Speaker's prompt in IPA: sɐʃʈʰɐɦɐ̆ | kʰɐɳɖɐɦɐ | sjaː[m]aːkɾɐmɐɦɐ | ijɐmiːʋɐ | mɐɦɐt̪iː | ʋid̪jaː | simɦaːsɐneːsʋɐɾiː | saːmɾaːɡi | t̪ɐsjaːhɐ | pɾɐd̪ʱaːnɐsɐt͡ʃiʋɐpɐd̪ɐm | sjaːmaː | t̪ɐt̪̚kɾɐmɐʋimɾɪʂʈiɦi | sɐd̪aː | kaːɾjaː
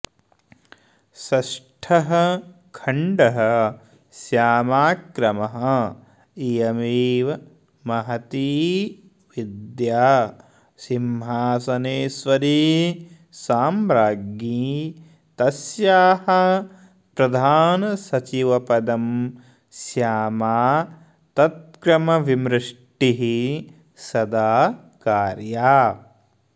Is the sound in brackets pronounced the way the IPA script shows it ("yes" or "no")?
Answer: yes